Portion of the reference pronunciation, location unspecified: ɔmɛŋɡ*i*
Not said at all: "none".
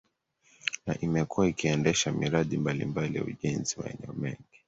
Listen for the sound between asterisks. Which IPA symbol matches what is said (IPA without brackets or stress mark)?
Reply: i